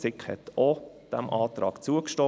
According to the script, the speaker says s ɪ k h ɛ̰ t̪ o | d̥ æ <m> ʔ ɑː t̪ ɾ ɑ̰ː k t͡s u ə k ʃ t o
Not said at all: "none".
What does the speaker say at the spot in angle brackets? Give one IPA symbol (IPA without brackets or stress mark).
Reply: m